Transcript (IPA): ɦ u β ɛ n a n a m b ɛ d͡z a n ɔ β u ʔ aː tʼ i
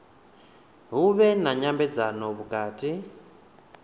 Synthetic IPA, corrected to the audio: ɦ u β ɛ n a ɲ a m b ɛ d͡z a n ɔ β u k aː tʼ i